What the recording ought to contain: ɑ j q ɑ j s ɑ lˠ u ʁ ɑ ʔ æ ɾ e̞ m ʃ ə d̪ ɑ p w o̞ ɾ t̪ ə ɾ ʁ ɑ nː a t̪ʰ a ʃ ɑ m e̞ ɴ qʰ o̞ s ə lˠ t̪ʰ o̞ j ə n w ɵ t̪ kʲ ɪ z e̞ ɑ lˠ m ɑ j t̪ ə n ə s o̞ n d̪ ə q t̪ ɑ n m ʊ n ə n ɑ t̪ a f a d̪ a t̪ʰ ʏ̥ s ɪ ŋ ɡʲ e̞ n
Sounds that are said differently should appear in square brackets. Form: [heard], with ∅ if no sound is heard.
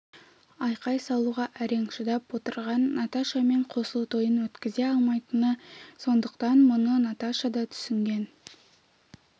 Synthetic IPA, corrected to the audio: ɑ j q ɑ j s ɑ lˠ u ʁ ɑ ʔ æ ɾ e̞ [ŋ] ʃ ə d̪ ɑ p w o̞ [∅] t̪ ə ɾ ʁ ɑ nː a [t̪] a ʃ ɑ m e̞ ɴ qʰ o̞ s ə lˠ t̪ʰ o̞ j ə n w ɵ t̪ kʲ ɪ z e̞ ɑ lˠ m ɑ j t̪ ə n ə s o̞ n d̪ ə q t̪ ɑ n m ʊ n ə n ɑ t̪ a [ʃ] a d̪ [ɑ] t̪ʰ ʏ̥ s ɪ ŋ ɡʲ e̞ n